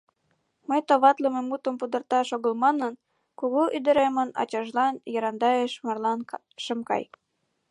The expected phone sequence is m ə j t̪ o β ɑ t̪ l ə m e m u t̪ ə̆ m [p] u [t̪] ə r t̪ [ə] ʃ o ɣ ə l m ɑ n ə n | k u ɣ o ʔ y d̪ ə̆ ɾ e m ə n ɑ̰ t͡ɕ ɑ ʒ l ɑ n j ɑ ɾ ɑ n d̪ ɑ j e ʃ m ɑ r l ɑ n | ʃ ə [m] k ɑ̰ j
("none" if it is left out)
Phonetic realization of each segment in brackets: p, d̪, ɑ, m

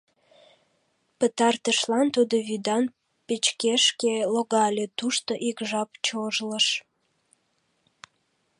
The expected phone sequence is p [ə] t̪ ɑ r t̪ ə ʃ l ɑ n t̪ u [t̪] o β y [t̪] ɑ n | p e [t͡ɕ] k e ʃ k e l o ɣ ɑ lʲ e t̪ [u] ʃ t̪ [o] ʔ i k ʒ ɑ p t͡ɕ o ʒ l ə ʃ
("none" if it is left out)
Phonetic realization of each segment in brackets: ə, d̪, d̪, t͡ɕ, u, o

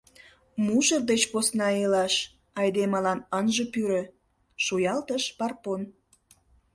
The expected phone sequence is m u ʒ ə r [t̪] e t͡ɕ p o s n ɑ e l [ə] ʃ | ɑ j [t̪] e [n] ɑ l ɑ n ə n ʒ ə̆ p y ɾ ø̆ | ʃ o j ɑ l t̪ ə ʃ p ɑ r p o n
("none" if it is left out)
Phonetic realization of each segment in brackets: d̪, ɑ, d̪, m

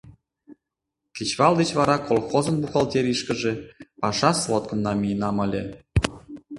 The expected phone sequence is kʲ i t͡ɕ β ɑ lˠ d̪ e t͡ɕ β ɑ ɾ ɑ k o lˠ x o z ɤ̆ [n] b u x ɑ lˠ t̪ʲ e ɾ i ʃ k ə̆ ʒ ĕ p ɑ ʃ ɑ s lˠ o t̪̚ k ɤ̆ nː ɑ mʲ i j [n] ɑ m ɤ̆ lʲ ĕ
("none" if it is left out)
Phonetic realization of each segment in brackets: n, n

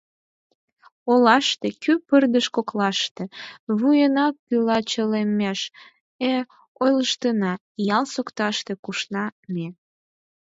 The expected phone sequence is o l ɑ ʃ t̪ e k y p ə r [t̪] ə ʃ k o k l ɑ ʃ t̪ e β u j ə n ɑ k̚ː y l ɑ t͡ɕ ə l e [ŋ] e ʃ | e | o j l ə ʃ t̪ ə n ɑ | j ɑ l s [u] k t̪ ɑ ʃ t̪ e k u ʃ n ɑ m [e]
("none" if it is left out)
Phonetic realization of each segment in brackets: d̪, m, o, e

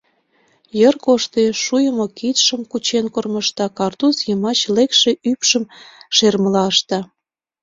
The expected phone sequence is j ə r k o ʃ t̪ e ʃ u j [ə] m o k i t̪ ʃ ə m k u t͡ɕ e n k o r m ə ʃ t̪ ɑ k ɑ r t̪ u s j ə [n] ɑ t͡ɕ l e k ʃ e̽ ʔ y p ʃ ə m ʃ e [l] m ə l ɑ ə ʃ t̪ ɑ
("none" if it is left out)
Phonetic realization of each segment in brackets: ə, m, r

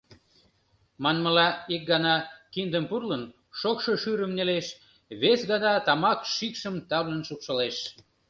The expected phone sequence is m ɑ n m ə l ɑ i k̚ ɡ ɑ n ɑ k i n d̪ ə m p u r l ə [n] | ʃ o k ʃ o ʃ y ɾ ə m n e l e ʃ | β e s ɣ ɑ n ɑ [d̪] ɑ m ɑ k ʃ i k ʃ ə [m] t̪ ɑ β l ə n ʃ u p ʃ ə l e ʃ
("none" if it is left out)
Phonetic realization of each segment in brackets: n, t̪, m

